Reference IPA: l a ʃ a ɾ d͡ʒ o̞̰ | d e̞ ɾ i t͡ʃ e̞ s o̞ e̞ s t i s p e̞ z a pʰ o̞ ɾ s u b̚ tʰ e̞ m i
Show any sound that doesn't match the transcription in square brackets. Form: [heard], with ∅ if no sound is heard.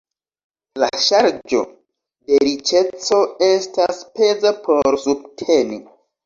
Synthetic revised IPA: l a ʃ a ɾ d͡ʒ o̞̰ | d e̞ ɾ i t͡ʃ e̞ [t͡s] o̞ e̞ s t [a] s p e̞ z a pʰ o̞ ɾ s u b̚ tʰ e̞ [n] i